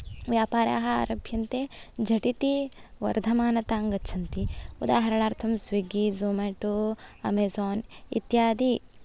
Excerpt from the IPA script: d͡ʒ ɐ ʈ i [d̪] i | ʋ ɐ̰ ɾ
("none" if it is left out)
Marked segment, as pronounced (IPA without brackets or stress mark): t̪